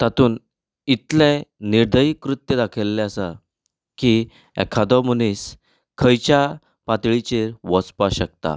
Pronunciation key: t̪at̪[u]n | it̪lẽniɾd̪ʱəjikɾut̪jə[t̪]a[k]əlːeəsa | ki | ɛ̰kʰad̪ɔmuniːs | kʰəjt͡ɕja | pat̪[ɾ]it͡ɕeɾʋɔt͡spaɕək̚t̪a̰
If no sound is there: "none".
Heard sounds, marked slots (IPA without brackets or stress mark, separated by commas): uː, d̪, kʰ, ɭ